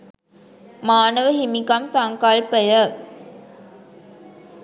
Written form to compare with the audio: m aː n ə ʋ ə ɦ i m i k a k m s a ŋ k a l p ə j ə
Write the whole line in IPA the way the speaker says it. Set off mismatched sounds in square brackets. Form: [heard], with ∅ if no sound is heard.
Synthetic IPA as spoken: m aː n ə ʋ ə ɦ i m i k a [∅] m s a ŋ k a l p ə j ə